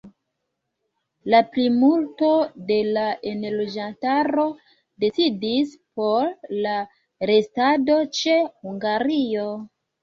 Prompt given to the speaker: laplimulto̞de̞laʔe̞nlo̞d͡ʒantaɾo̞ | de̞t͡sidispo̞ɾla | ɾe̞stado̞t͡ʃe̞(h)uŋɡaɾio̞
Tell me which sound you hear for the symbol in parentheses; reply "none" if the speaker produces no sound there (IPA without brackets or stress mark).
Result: h